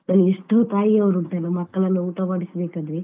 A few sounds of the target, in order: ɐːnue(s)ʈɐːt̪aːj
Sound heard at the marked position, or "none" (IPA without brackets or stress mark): ʂ